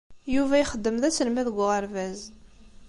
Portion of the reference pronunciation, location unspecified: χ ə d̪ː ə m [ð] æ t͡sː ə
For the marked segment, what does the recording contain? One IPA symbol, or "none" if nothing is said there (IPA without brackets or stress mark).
ð